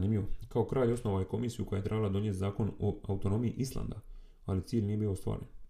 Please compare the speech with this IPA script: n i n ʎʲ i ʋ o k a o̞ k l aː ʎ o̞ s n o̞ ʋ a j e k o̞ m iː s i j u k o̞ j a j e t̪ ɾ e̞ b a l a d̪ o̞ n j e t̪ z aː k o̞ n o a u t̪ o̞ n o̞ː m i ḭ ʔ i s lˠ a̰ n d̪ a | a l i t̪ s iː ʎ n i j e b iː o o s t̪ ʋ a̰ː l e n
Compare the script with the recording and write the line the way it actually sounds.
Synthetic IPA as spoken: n i m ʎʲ i ʋ o k a o̞ k ɾ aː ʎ o̞ s n o̞ ʋ a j e k o̞ m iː s i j u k o̞ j a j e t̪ ɾ e̞ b a l a d̪ o̞ n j e t̪ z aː k o̞ n o a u t̪ o̞ n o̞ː m i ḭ ʔ i s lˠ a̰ n d̪ a | a l i t̪ s iː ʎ n i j e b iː o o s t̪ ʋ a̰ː ɾ e n